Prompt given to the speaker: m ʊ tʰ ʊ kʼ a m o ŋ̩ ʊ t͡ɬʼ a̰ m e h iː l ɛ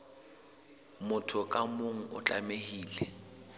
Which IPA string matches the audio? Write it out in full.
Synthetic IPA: m ʊ tʰ ʊ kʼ a m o ŋ̩ ʊ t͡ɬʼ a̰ m e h iː l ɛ